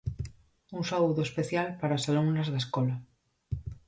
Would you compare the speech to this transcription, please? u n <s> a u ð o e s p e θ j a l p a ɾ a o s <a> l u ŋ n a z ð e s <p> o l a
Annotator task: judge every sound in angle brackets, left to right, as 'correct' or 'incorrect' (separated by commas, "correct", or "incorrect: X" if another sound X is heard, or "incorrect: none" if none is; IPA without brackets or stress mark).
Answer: correct, correct, incorrect: k